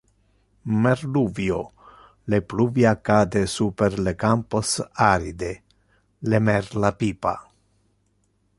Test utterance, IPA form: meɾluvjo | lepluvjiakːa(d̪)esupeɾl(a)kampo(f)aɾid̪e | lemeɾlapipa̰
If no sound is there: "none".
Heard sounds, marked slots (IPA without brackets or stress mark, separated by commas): d̪, e, s